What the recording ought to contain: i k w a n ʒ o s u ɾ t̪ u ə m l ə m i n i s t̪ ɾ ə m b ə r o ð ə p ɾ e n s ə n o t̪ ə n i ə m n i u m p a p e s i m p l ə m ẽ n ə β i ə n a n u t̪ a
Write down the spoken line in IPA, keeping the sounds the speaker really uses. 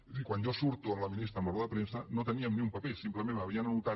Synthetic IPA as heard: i k w a n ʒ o s u ɾ t̪ u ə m l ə m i n i s t̪ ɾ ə m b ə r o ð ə p ɾ e n s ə n o t̪ ə n i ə m n i u m p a p e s i m p l ə m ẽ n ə β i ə n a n u t̪ a

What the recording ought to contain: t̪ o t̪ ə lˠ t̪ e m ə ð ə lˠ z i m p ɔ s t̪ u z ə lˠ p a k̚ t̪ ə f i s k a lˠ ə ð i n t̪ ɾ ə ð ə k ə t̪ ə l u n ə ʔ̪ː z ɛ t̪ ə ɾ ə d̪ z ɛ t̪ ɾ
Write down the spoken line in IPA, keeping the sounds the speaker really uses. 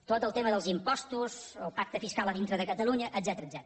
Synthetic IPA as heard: t̪ o t̪ ə lˠ t̪ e m ə ð ə lˠ z i m p ɔ s t̪ u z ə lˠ p a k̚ t̪ ə f i s k a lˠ ə ð i n t̪ ɾ ə ð ə k ə t̪ ə l u ɲ ə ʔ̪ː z ɛ t̪ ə ɾ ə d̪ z ɛ t̪ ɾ

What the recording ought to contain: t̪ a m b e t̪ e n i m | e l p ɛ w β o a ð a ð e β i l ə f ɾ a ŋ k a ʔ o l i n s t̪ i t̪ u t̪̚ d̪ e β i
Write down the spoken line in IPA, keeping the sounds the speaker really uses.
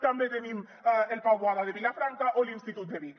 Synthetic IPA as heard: t̪ a m b e t̪ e n i m | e l p a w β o a ð a ð e β i l a f ɾ a ŋ k a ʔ o l i n s t̪ i t̪ u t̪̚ d̪ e β i

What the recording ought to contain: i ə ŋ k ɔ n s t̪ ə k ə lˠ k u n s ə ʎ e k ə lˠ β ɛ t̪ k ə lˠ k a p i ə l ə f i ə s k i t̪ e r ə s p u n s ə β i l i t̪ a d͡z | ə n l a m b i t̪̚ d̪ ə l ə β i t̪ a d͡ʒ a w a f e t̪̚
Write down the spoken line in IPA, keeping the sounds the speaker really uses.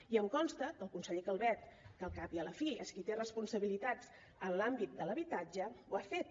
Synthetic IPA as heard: i ə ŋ k ɔ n s t̪ ə k ə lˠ k u n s ə ʎ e k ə lˠ β ɛ t̪ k ə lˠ k a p i ə l ə f i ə s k i t̪ e r ə s p u n s ə β i l i t̪ a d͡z | ə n l a m b i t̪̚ d̪ ə l ə β i t̪ a d͡ʒ ə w a f e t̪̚

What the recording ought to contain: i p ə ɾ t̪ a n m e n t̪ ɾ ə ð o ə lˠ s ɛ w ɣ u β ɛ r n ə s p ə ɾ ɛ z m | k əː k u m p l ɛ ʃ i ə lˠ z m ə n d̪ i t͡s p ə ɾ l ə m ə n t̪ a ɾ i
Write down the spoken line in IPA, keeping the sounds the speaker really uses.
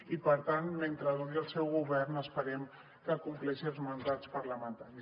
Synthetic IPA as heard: i p ə ɾ t̪ a n m e n t̪ ɾ ə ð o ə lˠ s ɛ w ɣ u β ɛ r n ə s p ə ɾ ɛ m | k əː k u m p l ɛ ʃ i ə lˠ z m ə n d̪ a t͡s p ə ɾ l ə m ə n t̪ a ɾ i

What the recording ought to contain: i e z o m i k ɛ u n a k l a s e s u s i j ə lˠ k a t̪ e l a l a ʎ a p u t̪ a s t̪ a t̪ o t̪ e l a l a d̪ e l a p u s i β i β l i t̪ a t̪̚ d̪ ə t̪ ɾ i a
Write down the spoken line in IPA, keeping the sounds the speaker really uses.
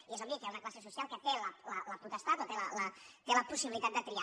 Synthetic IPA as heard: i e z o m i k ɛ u n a k l a s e s u s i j a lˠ k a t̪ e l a l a l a p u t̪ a s t̪ a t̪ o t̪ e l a l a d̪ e l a p u s i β i l i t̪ a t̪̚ d̪ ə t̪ ɾ i a

